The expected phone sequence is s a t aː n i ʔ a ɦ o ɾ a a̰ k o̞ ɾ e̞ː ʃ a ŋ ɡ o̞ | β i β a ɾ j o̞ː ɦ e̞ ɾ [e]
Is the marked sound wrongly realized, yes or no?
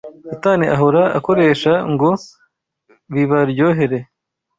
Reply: no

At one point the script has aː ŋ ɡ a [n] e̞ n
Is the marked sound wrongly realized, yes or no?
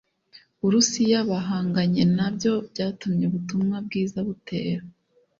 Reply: yes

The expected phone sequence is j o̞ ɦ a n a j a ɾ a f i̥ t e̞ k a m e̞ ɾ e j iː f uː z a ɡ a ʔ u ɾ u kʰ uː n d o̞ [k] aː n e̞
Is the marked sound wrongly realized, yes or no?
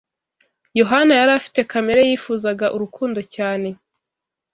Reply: yes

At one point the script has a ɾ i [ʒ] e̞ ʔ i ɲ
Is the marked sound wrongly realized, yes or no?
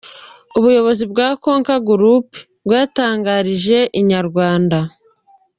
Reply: no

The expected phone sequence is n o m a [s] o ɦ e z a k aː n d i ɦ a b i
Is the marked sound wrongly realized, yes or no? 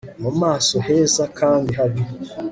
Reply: no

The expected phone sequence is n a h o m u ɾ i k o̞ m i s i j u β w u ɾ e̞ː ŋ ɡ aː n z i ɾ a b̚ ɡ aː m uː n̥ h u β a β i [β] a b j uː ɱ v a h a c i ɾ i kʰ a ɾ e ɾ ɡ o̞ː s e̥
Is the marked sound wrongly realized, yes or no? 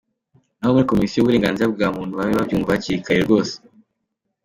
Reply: no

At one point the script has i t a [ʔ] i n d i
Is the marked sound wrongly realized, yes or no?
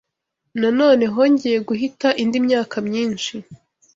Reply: no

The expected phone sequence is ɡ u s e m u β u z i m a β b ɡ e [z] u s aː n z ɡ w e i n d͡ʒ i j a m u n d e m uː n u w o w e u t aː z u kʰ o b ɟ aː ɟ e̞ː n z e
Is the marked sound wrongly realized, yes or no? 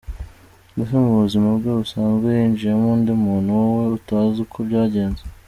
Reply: yes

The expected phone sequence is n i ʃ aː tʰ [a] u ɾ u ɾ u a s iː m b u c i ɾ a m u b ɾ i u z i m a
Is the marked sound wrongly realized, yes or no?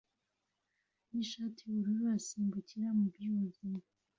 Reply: yes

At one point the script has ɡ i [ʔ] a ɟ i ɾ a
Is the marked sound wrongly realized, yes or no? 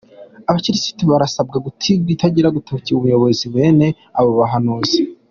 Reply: yes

